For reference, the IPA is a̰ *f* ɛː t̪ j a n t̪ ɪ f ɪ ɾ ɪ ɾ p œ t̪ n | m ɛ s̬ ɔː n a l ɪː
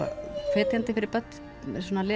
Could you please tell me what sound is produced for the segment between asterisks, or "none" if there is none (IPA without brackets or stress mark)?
f